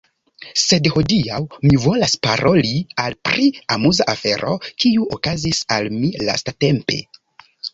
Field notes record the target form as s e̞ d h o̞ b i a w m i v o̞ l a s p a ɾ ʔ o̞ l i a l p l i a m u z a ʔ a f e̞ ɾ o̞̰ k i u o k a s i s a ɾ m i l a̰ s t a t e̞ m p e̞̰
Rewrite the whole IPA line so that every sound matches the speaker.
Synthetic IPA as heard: s e̞ d h o̞ d i a w m i v o̞ l a s p a ɾ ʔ o̞ l i a l p ɾ i a m u z a ʔ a f e̞ ɾ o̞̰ k i u o k a z i s a l m i l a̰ s t a t e̞ m p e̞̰